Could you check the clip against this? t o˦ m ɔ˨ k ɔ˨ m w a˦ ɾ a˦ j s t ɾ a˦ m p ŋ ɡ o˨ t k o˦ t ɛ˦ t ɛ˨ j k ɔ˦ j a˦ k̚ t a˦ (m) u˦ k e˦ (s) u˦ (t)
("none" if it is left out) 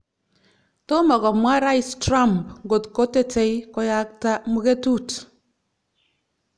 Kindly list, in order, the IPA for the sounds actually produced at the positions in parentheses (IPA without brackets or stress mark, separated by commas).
m, t, t